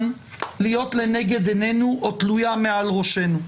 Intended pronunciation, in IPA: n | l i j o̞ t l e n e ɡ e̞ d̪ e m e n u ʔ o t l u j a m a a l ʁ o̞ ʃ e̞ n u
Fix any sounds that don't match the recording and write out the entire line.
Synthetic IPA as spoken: n | l i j o̞ t l e n e ɡ e̞ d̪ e n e n u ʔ o t l u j a m e a l ʁ o̞ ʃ e̞ n u